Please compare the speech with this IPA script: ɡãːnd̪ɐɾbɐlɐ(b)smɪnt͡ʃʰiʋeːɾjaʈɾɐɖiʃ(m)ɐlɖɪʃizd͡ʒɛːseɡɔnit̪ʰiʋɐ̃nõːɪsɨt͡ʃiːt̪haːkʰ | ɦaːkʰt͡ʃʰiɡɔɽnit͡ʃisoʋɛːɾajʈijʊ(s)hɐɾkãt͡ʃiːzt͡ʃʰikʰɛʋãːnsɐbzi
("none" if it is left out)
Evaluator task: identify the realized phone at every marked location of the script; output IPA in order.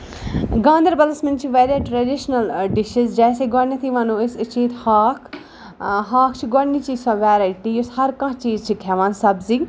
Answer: none, n, s

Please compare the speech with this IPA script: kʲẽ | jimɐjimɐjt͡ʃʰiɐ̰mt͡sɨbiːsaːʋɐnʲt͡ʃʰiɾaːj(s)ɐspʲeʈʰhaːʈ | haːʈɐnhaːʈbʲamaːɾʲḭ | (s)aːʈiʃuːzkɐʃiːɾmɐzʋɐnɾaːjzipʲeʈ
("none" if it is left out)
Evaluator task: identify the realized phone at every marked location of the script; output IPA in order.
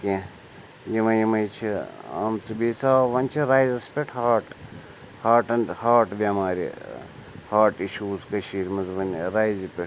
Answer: z, h

